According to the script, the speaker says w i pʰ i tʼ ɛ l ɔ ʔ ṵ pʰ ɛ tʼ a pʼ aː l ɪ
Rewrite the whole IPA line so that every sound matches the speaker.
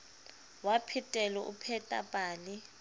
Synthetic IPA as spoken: w a pʰ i tʼ ɛ l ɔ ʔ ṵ pʰ ɛ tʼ a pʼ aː l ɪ